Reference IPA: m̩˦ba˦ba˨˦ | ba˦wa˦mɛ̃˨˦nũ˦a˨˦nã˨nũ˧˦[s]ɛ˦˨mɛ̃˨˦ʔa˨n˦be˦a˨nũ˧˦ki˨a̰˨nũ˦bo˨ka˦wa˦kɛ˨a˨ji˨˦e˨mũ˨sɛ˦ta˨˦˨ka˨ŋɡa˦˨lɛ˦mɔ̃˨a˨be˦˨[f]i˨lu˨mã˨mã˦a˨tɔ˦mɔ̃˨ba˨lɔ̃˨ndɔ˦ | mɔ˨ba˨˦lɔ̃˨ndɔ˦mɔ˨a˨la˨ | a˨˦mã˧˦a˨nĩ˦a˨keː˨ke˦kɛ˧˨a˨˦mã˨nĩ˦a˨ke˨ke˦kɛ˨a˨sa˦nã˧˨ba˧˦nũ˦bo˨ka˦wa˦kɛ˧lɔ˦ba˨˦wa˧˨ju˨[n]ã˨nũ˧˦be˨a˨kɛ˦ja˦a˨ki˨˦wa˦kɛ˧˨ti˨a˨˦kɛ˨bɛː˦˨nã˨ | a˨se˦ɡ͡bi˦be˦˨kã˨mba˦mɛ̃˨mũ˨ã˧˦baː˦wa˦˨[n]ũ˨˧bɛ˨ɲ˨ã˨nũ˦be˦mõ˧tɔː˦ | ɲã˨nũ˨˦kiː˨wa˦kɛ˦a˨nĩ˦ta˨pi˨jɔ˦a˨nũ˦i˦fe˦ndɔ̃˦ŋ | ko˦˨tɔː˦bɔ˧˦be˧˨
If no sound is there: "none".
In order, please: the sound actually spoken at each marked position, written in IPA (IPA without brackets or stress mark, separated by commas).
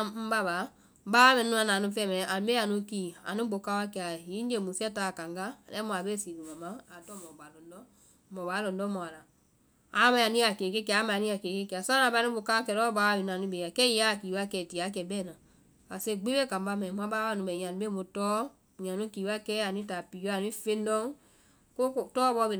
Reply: f, s, n, n